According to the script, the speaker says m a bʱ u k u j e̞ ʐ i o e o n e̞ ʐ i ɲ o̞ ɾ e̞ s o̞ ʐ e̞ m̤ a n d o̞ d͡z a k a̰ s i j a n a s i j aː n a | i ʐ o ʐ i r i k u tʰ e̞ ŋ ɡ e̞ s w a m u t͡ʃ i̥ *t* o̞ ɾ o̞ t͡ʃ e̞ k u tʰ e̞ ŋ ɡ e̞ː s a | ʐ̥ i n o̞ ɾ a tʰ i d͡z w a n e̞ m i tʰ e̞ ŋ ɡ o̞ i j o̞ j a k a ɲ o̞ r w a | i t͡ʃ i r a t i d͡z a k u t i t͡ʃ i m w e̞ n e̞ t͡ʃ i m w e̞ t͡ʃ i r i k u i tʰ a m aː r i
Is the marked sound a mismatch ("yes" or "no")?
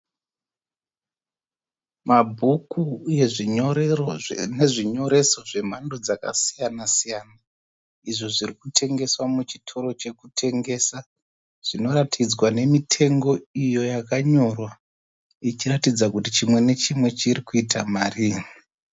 yes